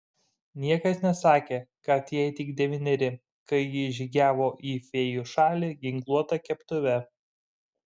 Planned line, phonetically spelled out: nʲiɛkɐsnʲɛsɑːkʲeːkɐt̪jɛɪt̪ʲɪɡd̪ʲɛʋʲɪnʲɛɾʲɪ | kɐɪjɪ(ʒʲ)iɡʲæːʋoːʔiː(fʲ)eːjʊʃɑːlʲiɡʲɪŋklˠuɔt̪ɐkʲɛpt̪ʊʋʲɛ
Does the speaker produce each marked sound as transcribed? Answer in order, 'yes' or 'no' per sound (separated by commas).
yes, yes